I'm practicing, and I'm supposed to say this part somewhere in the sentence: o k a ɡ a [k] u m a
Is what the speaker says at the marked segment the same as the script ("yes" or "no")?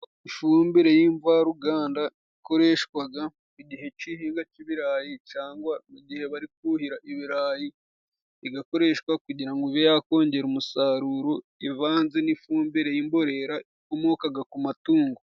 yes